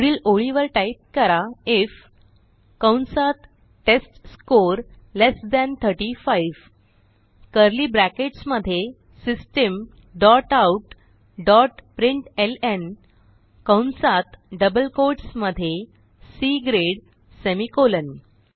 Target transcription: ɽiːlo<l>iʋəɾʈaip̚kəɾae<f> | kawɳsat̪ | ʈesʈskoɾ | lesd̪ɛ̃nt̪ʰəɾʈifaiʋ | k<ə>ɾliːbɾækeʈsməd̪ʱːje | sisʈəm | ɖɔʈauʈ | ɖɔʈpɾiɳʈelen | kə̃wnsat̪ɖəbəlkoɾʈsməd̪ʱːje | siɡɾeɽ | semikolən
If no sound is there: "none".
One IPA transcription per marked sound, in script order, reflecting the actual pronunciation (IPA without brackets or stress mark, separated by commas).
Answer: ɭ, f, ə